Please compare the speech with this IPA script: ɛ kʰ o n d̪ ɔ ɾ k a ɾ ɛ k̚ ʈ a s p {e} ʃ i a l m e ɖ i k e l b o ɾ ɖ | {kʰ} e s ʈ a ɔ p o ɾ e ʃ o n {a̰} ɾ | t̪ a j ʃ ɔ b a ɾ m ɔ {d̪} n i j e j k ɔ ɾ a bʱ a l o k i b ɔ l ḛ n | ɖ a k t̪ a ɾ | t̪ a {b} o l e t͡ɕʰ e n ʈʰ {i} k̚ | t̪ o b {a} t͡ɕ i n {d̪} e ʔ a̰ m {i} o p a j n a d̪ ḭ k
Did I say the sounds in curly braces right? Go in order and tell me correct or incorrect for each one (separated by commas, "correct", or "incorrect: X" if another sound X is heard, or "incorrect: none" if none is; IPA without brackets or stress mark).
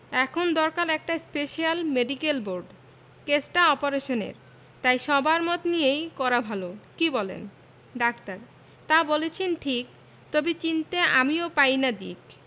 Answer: correct, incorrect: k, incorrect: ḛ, incorrect: t̪, correct, correct, incorrect: i, incorrect: t̪, correct